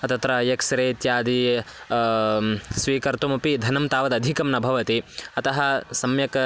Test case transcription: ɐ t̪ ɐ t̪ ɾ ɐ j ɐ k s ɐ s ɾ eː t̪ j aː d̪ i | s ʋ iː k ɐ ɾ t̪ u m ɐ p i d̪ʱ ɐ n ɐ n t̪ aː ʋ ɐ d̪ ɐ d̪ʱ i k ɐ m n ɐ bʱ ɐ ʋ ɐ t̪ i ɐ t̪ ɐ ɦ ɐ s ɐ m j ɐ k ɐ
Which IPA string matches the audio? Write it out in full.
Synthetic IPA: ɐ t̪ ɐ t̪ ɾ ɐ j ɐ k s ɐ ɾ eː t̪ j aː d̪ i | s ʋ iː k ɐ ɾ t̪ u m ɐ p i d̪ʱ ɐ n ɐ m t̪ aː ʋ ɐ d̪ ɐ d̪ʱ i k ɐ m n ɐ bʱ ɐ ʋ ɐ t̪ i ɐ t̪ ɐ ɦ ɐ s ɐ m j ɐ k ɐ